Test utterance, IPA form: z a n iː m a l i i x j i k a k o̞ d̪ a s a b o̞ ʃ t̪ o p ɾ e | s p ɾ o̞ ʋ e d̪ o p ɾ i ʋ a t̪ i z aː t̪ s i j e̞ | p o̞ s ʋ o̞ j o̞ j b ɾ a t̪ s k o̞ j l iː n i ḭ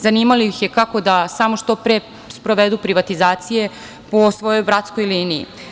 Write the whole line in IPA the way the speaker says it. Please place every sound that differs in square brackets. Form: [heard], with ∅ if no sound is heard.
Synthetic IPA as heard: z a n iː m a l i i x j [e] k a k o̞ d̪ a s a [m] o̞ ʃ t̪ o p ɾ e | s p ɾ o̞ ʋ e d̪ [u] p ɾ i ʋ a t̪ i z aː t̪ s i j e̞ | p o̞ s ʋ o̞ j o̞ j b ɾ a t̪ s k o̞ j l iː n i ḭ